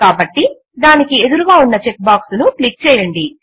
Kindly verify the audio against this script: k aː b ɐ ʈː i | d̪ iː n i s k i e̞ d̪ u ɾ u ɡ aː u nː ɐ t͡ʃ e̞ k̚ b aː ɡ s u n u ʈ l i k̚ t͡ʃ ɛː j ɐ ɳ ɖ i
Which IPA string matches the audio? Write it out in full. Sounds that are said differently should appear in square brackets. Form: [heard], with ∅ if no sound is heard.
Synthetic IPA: k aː b ɐ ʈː i | d̪ [aː] n i [∅] k i e̞ d̪ u ɾ u ɡ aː u nː ɐ t͡ʃ e̞ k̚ b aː [k] s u n u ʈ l i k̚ t͡ʃ ɛː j ɐ ɳ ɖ i

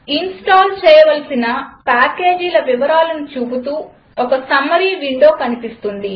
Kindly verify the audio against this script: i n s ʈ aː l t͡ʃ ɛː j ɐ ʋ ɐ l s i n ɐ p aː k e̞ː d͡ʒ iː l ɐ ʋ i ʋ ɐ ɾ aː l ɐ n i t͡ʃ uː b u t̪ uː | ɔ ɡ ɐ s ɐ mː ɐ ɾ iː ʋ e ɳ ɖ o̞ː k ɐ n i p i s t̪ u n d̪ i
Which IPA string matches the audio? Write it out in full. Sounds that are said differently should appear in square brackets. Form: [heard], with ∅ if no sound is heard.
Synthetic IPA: i n s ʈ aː l t͡ʃ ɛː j ɐ ʋ ɐ l s i n ɐ p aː k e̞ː d͡ʒ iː l ɐ ʋ i ʋ ɐ ɾ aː l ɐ n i t͡ʃ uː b u t̪ uː | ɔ [k] ɐ s ɐ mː ɐ ɾ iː ʋ [i] ɳ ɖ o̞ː k ɐ n i p i s t̪ u n d̪ i

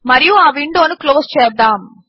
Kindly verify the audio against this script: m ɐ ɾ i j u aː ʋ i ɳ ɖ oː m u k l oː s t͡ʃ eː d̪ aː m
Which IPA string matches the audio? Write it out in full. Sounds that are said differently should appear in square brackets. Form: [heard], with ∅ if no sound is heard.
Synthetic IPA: m ɐ ɾ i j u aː ʋ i ɳ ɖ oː [n] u k l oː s t͡ʃ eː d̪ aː m

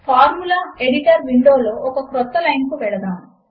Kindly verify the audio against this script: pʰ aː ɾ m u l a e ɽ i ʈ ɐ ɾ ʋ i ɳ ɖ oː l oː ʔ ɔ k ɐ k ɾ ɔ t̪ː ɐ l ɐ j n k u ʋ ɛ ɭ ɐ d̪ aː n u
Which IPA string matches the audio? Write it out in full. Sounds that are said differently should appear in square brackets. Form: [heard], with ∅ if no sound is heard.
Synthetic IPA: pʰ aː ɾ m u l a e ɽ i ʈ ɐ ɾ ʋ i ɳ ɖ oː l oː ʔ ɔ k ɐ k ɾ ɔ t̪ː ɐ l ɐ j n k u ʋ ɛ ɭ ɐ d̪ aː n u

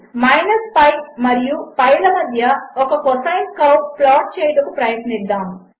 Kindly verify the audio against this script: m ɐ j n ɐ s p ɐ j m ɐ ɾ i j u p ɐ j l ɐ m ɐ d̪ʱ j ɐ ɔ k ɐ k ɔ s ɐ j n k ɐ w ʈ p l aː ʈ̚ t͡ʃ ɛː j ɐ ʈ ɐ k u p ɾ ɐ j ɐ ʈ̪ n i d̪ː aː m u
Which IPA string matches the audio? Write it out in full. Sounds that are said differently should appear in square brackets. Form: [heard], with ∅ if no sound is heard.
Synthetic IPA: m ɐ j n ɐ s p ɐ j m ɐ ɾ i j u p ɐ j l ɐ m ɐ d̪ʱ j ɐ ɔ k ɐ k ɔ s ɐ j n k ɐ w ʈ p l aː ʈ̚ t͡ʃ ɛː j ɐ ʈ ɐ k u p ɾ ɐ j ɐ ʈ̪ n i d̪ː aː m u

